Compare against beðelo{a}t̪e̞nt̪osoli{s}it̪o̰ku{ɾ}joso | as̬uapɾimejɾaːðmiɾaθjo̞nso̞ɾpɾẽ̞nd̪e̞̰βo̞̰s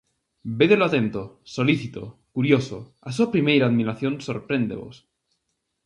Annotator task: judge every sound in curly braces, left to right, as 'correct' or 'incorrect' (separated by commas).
correct, incorrect, correct